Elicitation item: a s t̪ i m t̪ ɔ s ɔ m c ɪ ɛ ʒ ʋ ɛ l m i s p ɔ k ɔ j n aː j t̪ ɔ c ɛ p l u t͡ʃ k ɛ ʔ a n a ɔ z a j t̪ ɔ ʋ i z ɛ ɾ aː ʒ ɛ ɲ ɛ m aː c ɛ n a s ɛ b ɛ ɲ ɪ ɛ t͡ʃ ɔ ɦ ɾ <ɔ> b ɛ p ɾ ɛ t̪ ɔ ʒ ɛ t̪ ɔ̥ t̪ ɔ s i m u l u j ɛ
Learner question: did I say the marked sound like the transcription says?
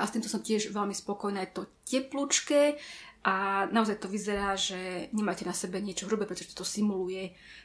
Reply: no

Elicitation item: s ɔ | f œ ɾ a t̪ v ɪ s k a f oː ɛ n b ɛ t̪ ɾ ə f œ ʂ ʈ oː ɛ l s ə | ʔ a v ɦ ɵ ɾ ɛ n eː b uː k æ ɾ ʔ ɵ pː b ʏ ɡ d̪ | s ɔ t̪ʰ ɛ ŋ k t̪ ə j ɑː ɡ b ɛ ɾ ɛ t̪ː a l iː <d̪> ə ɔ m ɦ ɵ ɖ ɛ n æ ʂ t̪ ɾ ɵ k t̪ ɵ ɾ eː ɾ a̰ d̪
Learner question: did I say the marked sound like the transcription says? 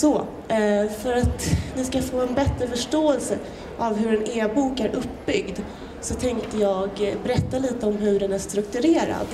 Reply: no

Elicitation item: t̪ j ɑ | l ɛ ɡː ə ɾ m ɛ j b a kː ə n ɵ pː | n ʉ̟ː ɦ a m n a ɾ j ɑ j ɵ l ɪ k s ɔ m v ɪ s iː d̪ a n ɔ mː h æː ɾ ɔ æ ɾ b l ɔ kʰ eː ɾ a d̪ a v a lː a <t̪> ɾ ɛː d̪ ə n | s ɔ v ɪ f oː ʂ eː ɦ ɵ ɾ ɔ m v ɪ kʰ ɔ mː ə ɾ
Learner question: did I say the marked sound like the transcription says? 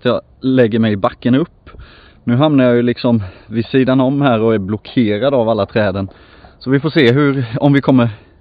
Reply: no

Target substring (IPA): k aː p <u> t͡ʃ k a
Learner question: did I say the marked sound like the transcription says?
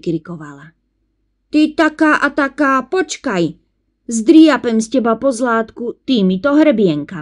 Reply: no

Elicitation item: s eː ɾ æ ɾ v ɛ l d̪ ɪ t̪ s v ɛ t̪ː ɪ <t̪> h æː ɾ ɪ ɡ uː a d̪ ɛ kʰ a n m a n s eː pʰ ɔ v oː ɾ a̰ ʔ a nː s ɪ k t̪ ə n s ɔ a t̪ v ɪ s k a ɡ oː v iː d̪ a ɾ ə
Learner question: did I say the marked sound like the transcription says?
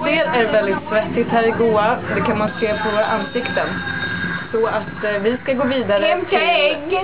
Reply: yes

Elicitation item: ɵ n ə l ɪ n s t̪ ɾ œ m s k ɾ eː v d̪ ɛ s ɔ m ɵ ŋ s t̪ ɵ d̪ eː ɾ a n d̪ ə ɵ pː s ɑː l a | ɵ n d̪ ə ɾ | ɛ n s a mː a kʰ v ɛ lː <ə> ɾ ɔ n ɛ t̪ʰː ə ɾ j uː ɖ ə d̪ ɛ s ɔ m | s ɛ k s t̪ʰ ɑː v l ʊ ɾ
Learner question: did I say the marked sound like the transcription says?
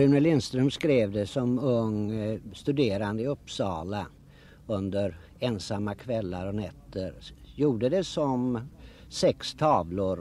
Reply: no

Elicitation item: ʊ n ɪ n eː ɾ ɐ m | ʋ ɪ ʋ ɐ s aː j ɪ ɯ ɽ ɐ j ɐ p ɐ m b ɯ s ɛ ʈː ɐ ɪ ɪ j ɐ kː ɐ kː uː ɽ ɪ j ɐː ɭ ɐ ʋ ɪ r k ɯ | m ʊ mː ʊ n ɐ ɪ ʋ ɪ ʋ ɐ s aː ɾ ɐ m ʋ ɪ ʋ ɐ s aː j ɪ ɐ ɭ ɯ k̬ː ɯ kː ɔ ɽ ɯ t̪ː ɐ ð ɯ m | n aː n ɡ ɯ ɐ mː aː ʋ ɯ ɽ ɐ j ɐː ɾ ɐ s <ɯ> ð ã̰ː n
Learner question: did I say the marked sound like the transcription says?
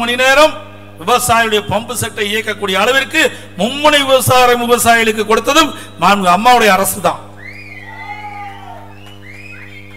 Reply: yes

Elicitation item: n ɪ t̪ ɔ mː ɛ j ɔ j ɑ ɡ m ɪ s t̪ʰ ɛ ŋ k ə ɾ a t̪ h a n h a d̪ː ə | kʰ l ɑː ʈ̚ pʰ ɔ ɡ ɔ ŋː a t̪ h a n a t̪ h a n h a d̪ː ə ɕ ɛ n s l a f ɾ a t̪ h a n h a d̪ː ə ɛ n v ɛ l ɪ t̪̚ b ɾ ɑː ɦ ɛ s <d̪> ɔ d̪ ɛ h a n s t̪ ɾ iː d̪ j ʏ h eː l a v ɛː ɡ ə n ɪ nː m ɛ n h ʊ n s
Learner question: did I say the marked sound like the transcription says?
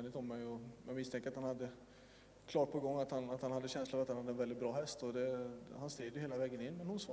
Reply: no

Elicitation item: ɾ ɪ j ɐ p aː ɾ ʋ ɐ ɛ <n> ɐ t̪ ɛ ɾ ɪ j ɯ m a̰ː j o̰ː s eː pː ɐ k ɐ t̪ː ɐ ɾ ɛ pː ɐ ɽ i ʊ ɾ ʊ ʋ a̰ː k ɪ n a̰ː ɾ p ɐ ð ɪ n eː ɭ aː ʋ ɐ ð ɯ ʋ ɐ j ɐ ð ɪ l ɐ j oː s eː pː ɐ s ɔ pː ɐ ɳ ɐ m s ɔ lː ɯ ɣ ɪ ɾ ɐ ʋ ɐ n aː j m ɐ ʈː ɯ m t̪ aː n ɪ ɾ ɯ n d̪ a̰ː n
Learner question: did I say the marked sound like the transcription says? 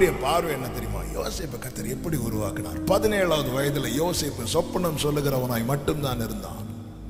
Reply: no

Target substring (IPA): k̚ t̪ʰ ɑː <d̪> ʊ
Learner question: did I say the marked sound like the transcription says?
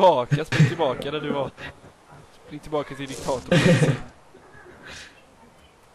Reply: no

